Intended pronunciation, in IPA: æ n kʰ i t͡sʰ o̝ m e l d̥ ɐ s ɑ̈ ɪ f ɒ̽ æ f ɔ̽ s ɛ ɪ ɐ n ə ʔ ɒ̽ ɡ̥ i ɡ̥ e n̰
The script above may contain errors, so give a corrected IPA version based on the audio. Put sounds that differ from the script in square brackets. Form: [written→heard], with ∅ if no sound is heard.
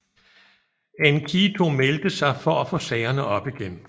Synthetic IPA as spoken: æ n kʰ i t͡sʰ o̝ m e l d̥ [ɐ→ə] s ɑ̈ ɪ f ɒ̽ æ f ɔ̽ s ɛ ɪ ɐ n ə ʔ ɒ̽ [ɡ̥→b̥] i ɡ̥ e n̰